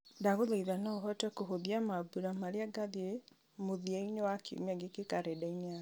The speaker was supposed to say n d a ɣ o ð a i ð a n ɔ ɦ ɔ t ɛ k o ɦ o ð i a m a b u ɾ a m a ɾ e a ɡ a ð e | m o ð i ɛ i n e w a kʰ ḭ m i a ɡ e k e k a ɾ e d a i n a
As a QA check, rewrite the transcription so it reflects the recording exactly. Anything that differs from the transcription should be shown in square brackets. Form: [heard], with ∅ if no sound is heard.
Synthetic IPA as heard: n d a ɣ o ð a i ð a n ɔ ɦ ɔ t ɛ k o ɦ o ð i a m a b u ɾ a m a ɾ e a ɡ a ð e | m o ð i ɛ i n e w a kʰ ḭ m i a ɡ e k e k a ɾ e d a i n a